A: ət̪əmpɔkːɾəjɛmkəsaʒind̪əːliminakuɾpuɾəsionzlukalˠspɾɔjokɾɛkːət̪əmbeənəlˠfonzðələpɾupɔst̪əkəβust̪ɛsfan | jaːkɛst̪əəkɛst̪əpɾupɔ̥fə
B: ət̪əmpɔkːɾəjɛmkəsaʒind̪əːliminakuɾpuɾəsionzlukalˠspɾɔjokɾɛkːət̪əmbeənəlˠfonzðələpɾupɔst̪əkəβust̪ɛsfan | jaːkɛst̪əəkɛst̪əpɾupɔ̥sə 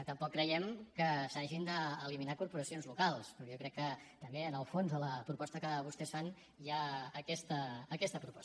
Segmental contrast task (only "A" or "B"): B